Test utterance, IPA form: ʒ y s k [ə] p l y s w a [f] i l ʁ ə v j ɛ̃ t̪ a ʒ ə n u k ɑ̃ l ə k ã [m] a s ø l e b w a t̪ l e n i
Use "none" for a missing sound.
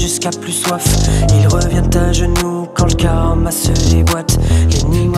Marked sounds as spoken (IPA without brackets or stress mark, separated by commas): a, f, m